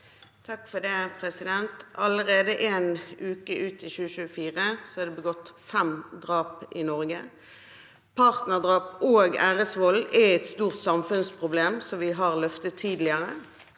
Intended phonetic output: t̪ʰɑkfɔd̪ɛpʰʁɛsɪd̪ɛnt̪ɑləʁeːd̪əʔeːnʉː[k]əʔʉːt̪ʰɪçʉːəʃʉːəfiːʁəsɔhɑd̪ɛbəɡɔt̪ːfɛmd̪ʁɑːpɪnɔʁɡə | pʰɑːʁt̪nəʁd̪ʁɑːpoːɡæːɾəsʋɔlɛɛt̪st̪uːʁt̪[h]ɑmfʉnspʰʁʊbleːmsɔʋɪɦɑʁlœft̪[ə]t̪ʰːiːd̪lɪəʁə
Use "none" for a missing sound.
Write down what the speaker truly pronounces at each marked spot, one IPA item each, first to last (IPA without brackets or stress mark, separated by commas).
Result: k, s, ə